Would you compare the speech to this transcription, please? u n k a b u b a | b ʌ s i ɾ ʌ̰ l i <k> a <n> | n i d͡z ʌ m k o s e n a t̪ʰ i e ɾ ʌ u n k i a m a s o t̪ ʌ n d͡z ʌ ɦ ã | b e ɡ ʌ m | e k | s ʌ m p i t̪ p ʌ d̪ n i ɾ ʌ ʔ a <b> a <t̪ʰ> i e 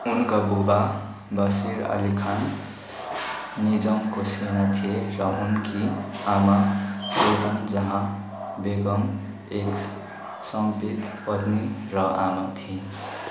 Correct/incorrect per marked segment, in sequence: incorrect: kʰ, correct, incorrect: m, correct

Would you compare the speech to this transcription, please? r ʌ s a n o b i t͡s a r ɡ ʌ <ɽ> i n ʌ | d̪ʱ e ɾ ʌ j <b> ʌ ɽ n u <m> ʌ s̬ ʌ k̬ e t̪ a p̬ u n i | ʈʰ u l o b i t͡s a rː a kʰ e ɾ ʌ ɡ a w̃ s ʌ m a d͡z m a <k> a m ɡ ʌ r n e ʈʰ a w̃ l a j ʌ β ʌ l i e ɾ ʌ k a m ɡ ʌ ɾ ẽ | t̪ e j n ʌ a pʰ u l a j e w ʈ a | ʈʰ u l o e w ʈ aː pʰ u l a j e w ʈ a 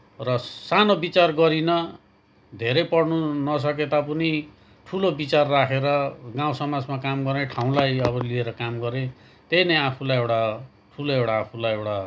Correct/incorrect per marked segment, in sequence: incorrect: ɾ, incorrect: p, incorrect: n, correct

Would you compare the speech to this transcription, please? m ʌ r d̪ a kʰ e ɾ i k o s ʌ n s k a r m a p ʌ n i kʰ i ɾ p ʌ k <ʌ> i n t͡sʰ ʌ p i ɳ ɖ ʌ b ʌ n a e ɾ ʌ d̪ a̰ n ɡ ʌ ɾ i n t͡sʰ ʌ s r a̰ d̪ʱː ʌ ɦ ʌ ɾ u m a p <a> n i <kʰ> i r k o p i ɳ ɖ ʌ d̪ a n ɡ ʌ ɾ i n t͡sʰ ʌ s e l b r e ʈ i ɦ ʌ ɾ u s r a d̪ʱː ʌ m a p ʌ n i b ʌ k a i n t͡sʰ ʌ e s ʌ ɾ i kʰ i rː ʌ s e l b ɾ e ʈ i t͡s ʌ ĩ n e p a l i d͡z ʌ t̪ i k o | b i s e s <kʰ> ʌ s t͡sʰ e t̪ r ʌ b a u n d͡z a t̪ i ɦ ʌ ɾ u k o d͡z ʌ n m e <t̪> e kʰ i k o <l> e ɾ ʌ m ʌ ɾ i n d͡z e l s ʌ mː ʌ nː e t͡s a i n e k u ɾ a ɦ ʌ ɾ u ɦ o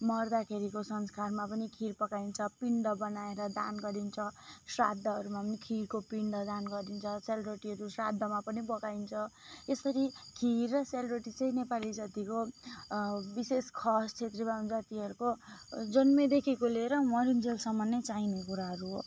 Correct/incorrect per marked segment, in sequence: incorrect: a, incorrect: ʌ, correct, correct, incorrect: d̪, correct

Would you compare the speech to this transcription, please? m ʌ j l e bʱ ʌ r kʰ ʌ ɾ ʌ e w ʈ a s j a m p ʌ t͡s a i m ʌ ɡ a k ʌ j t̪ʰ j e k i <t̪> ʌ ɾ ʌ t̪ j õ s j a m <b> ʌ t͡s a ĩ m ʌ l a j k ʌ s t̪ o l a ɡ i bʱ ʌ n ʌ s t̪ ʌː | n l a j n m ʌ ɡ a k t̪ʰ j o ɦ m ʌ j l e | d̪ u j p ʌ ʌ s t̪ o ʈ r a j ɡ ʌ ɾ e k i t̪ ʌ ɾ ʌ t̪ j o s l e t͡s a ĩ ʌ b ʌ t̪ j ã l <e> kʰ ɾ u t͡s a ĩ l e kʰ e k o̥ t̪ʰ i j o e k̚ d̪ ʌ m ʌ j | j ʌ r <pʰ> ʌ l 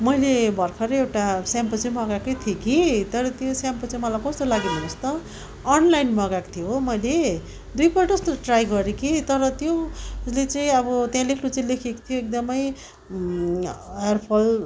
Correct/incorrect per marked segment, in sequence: correct, incorrect: p, correct, correct

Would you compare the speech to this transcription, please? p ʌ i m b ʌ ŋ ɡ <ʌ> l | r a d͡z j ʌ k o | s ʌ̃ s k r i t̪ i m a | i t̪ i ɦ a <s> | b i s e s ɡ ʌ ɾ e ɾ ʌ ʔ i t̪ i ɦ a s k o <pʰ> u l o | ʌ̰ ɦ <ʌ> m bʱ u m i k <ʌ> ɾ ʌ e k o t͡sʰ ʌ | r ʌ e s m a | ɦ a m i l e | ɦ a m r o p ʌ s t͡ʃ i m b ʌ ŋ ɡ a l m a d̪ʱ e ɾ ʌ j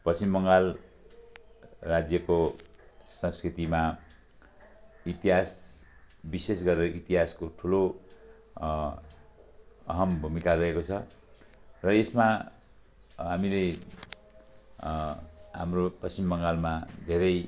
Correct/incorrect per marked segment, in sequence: incorrect: a, correct, incorrect: ʈʰ, correct, incorrect: a

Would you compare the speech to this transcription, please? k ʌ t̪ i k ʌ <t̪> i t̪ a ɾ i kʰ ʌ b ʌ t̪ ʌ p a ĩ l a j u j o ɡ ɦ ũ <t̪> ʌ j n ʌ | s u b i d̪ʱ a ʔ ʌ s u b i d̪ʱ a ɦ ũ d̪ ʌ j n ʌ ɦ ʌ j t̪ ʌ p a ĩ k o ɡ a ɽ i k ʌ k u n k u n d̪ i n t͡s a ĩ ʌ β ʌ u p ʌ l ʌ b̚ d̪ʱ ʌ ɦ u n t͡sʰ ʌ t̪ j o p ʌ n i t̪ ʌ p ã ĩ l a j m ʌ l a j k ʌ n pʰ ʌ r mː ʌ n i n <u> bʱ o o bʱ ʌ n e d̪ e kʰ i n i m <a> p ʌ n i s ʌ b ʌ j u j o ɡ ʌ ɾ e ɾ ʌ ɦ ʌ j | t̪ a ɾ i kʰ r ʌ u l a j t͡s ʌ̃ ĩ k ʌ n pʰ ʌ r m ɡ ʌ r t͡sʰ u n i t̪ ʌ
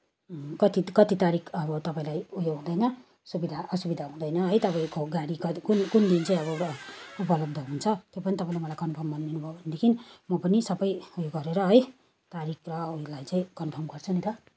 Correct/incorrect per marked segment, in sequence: correct, incorrect: d̪, correct, incorrect: ʌ

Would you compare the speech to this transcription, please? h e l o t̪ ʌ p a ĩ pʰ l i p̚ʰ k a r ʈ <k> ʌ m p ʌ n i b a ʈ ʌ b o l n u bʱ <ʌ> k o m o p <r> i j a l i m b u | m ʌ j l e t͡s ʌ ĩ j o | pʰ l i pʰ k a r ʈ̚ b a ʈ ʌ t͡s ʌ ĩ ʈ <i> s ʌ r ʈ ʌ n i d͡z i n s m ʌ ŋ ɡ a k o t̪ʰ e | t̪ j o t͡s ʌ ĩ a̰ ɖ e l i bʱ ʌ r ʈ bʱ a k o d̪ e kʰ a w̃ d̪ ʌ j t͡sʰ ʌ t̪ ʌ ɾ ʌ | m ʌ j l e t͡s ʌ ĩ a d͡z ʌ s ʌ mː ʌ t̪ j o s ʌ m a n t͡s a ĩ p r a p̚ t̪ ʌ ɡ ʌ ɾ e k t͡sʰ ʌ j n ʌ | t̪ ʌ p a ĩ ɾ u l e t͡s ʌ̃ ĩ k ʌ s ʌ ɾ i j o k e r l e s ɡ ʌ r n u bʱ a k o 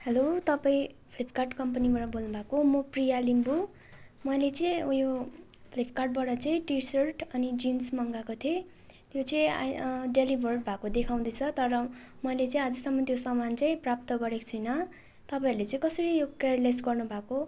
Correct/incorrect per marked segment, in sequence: correct, incorrect: a, correct, correct

